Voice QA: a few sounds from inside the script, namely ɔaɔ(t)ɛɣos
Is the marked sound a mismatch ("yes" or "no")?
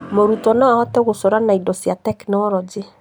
no